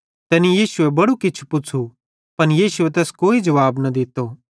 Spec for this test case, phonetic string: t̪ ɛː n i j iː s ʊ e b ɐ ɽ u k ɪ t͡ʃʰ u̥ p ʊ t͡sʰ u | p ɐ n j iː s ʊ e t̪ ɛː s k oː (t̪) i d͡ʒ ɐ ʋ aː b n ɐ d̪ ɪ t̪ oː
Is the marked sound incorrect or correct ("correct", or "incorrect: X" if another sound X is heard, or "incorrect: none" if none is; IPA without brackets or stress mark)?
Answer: incorrect: none